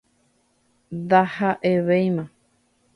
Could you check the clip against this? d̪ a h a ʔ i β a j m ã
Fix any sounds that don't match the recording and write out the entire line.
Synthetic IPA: d̪ a h a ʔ e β e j m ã